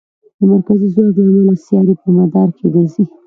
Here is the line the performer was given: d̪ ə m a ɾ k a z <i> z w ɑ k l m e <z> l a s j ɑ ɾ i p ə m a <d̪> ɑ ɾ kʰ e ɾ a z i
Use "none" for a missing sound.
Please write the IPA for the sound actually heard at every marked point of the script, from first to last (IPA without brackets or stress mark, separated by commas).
i, none, d̪